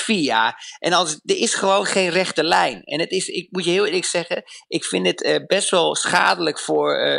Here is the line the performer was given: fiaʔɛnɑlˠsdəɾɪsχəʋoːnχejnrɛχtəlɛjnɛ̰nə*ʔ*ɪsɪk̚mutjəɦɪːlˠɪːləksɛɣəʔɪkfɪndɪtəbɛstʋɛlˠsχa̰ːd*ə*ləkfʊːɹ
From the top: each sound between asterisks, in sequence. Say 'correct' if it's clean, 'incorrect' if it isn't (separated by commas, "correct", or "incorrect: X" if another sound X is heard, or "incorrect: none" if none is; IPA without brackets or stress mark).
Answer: incorrect: t, correct